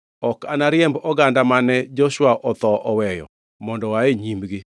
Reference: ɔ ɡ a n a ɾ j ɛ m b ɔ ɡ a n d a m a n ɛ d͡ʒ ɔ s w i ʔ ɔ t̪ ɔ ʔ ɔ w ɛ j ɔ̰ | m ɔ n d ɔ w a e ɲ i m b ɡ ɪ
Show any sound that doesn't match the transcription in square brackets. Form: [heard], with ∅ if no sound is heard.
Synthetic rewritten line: ɔ [k] a n a ɾ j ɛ m b ɔ ɡ a n d a m a n ɛ d͡ʒ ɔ [ʃ] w [a] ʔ ɔ t̪ ɔ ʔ ɔ w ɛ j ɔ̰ | m ɔ n d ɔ w a e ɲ i m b ɡ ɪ

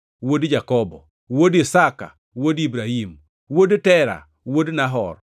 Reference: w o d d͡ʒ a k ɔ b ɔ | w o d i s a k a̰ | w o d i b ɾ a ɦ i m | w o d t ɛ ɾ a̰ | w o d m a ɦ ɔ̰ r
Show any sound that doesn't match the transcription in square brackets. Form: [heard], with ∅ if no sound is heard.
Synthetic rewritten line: w o d d͡ʒ a k ɔ b ɔ | w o d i s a k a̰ | w o d i b ɾ a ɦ i m | w o d t ɛ ɾ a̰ | w o d [n] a ɦ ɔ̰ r

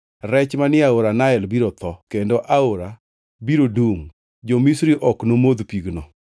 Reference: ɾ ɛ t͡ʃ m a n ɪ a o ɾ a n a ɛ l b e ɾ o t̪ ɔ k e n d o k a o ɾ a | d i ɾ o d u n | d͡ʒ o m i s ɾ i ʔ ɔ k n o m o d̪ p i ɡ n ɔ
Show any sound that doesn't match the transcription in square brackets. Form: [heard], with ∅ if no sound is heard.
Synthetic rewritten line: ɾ ɛ t͡ʃ m a n ɪ a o ɾ a n a ɛ l b [i] ɾ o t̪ ɔ k e n d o [ʔ] a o ɾ a | [b] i ɾ o d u [ŋ] | d͡ʒ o m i s ɾ i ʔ ɔ k n o m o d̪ p i ɡ n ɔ

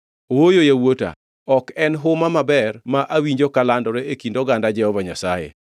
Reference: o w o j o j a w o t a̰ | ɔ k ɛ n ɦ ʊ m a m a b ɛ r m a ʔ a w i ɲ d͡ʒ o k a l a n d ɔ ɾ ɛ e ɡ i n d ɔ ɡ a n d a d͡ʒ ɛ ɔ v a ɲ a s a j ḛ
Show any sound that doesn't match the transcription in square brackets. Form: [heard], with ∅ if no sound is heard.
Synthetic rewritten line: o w o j o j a w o t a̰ | ɔ k ɛ n ɦ ʊ m a m a b ɛ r m a ʔ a w i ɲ d͡ʒ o k a l a n d ɔ ɾ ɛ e [k] i n d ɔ ɡ a n d a d͡ʒ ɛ ɔ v a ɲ a s a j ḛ

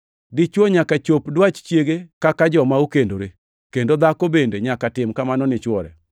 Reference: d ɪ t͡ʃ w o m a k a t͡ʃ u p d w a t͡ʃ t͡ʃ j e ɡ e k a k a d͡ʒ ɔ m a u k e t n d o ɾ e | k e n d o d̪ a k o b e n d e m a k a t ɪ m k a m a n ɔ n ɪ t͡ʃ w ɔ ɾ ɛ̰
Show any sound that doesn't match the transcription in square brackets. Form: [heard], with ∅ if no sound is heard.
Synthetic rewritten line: d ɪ t͡ʃ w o [ɲ] a k a t͡ʃ [o] p d w a t͡ʃ t͡ʃ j e ɡ e k a k a d͡ʒ ɔ m a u k e [∅] n d o ɾ e | k e n d o d̪ a k o b e n d e [ɲ] a k a t ɪ m k a m a n ɔ n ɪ t͡ʃ w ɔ ɾ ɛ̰

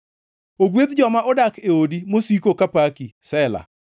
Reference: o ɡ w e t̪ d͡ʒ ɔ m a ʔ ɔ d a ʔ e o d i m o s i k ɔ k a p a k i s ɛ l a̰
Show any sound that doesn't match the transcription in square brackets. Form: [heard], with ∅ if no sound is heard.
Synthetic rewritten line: o ɡ w e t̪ d͡ʒ ɔ m a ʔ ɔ d a [k] e o d i m o s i k [o] k a p a k i s ɛ l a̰

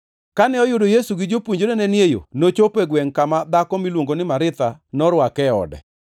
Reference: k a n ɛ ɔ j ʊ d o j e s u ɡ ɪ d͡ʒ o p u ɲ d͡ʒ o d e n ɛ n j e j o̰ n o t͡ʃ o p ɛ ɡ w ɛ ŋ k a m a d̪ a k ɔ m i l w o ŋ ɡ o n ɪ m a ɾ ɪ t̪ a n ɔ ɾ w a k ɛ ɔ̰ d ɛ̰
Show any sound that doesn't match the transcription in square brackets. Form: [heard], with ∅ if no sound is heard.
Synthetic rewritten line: k a n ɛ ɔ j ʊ d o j e s u ɡ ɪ d͡ʒ o p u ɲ d͡ʒ o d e n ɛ n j e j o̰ n o t͡ʃ o p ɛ ɡ w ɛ ŋ k a m a d̪ a k ɔ m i l w o ŋ ɡ o n ɪ m a ɾ ɪ t̪ a n ɔ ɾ w a k ɛ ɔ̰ d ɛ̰

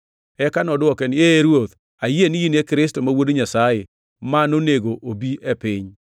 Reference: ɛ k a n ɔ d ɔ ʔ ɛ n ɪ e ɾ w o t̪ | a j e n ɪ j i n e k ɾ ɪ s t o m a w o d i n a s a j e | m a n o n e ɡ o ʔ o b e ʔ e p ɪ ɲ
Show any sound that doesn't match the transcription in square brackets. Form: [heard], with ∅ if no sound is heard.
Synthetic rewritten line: ɛ k a n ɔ d ɔ [k] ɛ n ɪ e ɾ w o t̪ | a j e n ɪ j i n e k ɾ ɪ s t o m a w o d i [ɲ] a s a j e | m a n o n e ɡ o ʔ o b [i] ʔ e p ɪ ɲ

